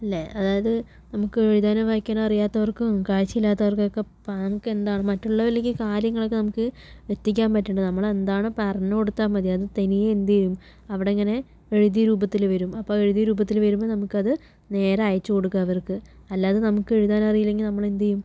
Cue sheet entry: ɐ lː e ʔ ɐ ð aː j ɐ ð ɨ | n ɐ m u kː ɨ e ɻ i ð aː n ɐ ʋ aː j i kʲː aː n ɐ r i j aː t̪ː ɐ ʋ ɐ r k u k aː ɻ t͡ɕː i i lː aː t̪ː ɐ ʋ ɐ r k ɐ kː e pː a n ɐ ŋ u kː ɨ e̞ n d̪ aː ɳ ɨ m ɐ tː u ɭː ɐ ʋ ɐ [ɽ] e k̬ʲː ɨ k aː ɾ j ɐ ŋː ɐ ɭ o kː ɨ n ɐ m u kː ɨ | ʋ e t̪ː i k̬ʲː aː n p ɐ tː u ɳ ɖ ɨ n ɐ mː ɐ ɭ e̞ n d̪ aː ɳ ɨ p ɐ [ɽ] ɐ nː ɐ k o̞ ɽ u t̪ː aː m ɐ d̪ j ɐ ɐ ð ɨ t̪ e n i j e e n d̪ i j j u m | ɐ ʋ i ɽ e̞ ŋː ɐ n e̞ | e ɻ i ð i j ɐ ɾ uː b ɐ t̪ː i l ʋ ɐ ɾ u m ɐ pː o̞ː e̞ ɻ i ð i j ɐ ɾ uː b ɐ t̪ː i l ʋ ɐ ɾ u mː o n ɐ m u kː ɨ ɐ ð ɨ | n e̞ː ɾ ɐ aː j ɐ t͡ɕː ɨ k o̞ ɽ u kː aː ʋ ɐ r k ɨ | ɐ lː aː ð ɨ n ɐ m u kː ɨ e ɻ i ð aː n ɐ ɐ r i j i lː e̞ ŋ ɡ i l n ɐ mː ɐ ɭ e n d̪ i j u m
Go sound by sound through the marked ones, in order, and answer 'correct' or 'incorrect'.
incorrect: l, incorrect: r

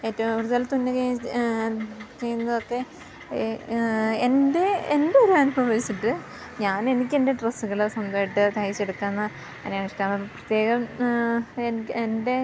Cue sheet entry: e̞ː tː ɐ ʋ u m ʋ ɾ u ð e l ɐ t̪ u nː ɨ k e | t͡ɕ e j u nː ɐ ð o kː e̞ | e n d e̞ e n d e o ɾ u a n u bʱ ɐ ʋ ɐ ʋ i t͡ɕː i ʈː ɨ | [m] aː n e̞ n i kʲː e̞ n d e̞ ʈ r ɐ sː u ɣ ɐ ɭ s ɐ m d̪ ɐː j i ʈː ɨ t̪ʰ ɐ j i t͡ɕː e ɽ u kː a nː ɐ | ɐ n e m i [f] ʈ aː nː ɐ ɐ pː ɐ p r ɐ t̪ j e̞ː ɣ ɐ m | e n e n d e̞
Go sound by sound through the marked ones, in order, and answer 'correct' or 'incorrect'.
incorrect: ɲ, incorrect: ʂ

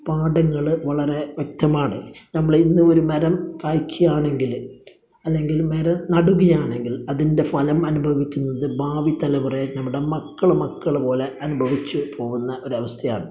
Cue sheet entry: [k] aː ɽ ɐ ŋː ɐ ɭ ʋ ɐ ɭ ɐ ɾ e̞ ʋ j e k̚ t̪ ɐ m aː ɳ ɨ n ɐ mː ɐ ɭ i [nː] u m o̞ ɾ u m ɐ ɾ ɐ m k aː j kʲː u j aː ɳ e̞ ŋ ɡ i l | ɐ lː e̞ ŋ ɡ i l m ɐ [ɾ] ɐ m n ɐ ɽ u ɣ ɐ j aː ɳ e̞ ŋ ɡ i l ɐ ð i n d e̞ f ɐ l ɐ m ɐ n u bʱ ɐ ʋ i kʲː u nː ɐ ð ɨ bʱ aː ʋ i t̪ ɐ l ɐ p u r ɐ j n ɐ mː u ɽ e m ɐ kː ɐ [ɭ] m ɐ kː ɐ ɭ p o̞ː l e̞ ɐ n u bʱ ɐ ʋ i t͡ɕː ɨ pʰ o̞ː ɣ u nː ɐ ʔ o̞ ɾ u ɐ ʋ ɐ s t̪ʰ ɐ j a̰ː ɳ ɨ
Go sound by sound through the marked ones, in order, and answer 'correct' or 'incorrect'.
incorrect: p, correct, correct, correct

